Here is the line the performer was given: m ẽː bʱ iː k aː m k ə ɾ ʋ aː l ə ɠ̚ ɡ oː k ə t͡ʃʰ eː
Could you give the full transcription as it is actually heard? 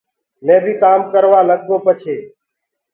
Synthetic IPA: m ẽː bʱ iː k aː m k ə ɾ ʋ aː l ə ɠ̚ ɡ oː p ə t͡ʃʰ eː